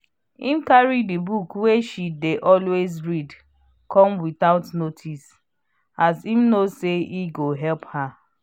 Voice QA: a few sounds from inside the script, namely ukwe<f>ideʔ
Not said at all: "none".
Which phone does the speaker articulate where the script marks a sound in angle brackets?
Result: ʃ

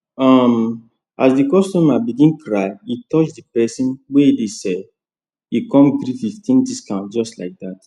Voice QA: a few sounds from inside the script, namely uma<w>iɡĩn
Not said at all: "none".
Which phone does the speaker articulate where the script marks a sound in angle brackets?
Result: b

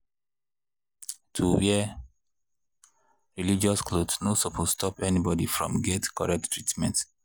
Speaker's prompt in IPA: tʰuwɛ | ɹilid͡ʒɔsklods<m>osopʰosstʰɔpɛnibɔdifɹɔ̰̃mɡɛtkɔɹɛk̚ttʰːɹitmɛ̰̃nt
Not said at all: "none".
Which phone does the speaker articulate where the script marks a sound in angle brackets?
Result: n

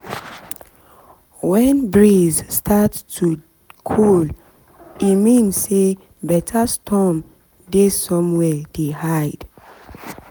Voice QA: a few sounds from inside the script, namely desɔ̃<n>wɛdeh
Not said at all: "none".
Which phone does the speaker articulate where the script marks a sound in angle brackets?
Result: m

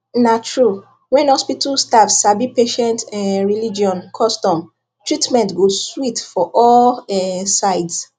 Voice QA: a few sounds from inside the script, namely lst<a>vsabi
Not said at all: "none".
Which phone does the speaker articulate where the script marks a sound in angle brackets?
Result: a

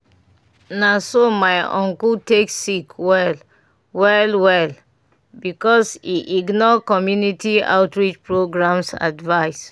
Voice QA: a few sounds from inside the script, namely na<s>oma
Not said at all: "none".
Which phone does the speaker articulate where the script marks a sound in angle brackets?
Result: s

